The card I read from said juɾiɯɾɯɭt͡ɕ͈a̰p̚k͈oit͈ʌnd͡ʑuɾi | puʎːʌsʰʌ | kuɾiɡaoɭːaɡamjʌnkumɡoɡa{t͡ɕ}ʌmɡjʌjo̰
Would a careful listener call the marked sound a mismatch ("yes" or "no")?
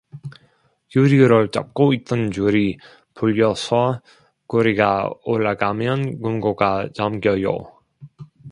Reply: no